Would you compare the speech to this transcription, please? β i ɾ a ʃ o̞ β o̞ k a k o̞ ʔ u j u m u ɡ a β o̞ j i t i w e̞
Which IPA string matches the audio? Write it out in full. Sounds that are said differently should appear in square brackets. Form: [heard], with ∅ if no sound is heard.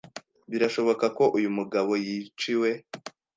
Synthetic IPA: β i ɾ a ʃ o̞ β o̞ k a k o̞ ʔ u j u m u ɡ a β o̞ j i [t͡ʃ] i w e̞